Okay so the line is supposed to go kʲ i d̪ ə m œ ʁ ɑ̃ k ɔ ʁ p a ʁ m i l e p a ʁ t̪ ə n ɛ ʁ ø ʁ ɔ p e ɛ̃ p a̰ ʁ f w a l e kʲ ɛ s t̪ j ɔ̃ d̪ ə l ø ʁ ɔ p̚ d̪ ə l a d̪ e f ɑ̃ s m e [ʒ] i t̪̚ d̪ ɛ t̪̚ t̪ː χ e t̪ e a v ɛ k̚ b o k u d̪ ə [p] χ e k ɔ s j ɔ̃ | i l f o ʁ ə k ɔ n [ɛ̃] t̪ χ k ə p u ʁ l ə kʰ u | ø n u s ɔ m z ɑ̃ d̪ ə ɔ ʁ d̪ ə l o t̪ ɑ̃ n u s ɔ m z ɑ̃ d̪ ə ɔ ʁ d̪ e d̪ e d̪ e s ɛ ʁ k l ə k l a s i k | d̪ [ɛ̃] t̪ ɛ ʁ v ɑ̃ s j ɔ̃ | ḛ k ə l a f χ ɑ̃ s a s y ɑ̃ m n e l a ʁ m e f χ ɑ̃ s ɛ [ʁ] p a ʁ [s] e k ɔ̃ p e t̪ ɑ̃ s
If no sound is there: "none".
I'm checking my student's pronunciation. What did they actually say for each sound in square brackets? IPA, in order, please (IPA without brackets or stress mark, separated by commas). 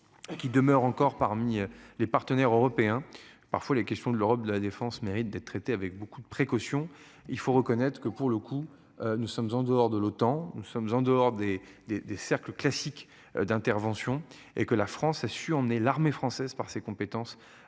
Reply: ʁ, p, ɛ, ɛ̃, z, s